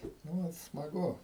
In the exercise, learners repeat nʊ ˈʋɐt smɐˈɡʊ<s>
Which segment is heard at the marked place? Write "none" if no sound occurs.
none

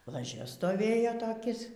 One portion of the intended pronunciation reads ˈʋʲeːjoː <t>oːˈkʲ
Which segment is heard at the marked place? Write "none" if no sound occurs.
t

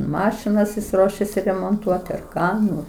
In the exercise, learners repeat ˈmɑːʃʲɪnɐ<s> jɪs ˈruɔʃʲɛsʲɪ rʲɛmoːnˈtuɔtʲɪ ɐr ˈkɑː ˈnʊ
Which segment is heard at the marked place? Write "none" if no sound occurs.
s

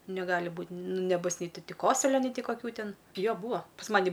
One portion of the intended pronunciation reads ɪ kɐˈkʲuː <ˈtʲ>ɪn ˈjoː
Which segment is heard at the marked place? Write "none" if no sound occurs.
tʲ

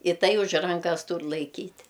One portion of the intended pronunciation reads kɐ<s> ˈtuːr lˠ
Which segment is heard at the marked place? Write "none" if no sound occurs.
s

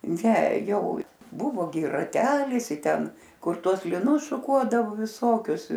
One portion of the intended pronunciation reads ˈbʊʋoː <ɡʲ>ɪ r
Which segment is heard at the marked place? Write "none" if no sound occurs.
ɡʲ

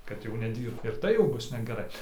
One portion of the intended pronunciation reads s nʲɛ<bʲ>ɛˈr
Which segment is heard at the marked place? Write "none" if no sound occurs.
ɡʲ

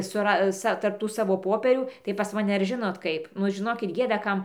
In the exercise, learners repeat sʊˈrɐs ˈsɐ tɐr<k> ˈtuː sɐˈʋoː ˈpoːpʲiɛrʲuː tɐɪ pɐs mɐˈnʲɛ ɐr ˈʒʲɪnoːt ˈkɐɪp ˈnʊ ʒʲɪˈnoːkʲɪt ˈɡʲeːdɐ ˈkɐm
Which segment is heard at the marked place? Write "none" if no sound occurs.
p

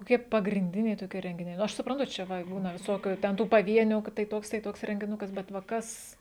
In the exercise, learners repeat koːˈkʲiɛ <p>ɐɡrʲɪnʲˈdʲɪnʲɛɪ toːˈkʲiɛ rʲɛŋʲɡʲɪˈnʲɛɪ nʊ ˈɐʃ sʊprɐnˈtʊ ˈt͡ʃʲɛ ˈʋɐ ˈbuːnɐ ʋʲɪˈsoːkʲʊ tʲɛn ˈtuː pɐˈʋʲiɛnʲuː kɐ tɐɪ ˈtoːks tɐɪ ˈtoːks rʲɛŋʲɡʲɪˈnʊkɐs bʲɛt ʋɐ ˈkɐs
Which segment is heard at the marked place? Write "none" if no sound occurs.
p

